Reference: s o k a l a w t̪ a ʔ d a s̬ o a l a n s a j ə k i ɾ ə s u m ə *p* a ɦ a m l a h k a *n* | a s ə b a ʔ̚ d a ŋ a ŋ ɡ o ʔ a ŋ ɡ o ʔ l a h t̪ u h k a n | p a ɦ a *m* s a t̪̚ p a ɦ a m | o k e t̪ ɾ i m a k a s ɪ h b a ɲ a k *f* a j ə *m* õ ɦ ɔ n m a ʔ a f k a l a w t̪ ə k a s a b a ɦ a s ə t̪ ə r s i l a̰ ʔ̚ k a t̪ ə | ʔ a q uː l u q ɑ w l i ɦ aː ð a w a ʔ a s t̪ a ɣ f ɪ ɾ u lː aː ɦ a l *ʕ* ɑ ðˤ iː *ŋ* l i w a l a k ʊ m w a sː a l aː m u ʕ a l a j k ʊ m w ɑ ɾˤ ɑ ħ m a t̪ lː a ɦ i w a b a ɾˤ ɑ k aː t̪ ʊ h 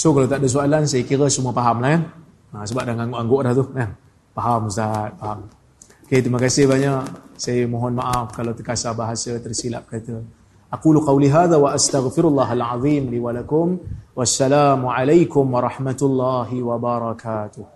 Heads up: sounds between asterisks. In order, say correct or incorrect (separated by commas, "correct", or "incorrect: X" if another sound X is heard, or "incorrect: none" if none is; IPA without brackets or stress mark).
correct, correct, correct, incorrect: s, correct, correct, incorrect: m